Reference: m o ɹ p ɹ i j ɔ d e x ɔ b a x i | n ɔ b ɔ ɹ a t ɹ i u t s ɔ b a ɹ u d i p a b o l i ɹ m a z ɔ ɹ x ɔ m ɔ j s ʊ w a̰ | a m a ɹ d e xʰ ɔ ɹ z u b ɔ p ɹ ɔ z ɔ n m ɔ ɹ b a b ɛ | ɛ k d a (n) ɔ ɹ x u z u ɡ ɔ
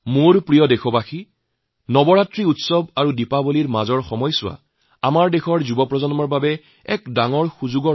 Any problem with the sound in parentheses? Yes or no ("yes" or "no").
yes